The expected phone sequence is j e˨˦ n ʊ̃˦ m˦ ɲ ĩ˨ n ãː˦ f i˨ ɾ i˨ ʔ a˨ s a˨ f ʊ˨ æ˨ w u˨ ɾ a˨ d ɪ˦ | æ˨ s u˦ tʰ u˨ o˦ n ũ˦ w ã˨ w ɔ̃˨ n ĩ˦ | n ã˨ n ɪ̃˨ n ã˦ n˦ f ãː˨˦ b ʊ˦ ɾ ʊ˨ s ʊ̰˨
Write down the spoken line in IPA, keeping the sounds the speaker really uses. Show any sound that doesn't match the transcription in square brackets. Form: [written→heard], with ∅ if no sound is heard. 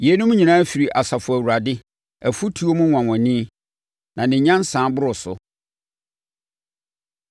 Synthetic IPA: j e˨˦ n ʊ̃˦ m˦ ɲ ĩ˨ n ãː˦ f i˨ ɾ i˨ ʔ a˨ s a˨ f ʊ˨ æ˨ w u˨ ɾ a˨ d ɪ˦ | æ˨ [s→f] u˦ tʰ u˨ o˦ [n→m] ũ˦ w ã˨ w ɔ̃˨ n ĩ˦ | n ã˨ n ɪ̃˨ [n→ɲ] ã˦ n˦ [f→s] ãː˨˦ b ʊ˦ ɾ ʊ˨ s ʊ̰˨